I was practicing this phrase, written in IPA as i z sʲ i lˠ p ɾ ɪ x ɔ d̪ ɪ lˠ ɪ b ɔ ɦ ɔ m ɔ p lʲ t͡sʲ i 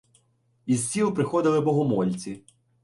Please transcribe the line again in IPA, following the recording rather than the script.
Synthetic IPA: i z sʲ i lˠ p ɾ ɪ x ɔ d̪ ɪ lˠ ɪ b ɔ ɦ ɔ m ɔ lʲ t͡sʲ i

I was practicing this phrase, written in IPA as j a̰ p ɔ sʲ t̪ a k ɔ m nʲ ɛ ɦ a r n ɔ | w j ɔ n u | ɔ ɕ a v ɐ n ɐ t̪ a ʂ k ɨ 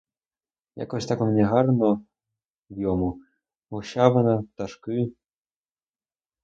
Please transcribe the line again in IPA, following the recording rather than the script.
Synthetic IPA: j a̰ k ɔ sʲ t̪ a k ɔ m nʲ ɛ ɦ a r n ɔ | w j ɔ m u | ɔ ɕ a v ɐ n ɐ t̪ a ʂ k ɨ

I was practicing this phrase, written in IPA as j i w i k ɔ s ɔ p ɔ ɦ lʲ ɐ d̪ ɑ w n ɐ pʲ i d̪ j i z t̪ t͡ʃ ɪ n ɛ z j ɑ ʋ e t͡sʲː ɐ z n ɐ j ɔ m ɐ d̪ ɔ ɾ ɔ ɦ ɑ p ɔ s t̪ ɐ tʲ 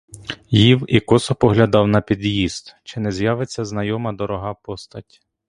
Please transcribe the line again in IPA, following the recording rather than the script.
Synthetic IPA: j i w i k ɔ s ɔ p ɔ ɦ lʲ ɐ d̪ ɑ w n ɐ pʲ i d̪ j i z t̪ t͡ʃ ɪ n ɛ z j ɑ ʋ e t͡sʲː ɐ z n ɐ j ɔ m ɐ d̪ ɔ ɾ ɔ ɦ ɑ p ɔ s t̪ ɐ tʲ

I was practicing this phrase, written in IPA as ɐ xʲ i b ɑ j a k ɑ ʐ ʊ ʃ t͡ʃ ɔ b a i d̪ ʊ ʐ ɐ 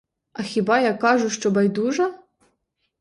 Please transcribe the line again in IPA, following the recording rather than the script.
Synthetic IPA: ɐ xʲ i b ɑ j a k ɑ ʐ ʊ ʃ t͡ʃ ɔ b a j d̪ u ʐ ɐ

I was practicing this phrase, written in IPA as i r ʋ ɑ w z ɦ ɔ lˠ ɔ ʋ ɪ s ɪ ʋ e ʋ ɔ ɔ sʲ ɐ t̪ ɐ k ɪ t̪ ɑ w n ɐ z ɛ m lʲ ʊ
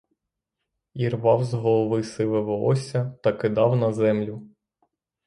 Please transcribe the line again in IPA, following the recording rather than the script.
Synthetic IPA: i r ʋ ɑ w z ɦ ɔ lˠ ɔ ʋ ɪ s ɪ ʋ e ʋ ɔ ɔ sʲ ɐ t̪ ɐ k ɪ d̪ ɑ w n ɐ z ɛ m lʲ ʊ

